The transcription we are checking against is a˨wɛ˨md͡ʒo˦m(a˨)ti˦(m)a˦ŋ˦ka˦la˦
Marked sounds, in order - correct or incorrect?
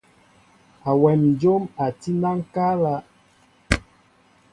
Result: correct, incorrect: n

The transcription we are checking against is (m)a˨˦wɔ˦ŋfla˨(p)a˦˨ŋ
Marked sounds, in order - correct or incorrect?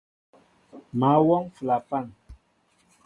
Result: correct, correct

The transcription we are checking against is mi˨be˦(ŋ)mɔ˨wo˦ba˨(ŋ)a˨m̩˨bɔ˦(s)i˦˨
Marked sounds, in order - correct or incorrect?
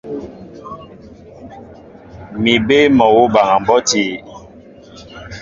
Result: incorrect: none, correct, incorrect: t

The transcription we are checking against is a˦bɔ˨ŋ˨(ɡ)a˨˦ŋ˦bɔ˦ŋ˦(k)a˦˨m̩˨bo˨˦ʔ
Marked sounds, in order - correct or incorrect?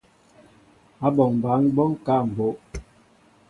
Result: incorrect: b, correct

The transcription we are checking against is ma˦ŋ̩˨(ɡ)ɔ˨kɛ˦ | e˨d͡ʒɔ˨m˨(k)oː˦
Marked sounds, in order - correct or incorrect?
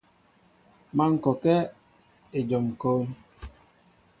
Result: incorrect: k, correct

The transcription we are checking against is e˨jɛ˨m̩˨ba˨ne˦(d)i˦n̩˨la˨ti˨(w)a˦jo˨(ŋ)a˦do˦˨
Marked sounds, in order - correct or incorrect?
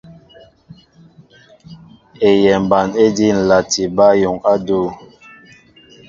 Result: correct, incorrect: b, correct

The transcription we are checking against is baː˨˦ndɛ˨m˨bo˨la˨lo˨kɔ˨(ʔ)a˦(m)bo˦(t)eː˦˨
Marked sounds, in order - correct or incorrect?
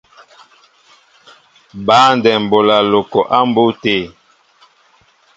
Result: correct, correct, correct

